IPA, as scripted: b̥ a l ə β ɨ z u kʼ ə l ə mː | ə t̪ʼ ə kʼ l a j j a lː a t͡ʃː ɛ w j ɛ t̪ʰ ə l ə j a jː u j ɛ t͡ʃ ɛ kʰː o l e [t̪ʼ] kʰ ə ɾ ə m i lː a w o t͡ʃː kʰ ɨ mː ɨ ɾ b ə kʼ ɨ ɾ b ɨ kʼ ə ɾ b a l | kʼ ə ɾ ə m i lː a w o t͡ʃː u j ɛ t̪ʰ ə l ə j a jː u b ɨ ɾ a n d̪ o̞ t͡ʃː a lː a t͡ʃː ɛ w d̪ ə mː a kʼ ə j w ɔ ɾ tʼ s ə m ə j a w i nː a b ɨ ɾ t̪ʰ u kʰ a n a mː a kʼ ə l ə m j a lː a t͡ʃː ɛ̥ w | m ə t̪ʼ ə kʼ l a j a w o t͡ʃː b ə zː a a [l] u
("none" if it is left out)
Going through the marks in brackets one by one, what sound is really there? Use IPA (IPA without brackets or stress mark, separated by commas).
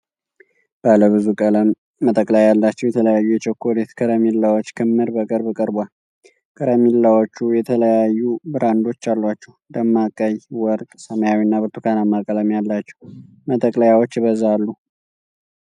t̪, lː